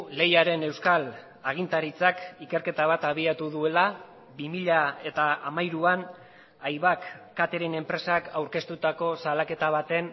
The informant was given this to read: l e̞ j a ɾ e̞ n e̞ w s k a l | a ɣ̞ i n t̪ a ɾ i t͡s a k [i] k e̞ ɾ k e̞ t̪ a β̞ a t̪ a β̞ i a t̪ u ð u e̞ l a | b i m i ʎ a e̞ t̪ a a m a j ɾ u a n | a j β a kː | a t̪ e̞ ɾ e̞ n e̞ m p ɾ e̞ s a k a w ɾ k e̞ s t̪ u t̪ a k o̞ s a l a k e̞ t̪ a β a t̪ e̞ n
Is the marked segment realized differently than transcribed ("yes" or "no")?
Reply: no